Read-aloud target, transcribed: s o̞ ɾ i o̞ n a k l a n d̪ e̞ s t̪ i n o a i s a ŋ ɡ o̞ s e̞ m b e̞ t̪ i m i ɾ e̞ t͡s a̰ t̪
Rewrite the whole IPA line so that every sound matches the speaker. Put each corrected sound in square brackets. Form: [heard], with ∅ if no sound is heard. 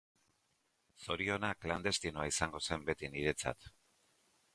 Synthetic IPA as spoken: s o̞ ɾ i o̞ n a k l a n d̪ e̞ s t̪ i n o a i s a ŋ ɡ o̞ s e̞ m b e̞ t̪ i [n] i ɾ e̞ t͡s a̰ t̪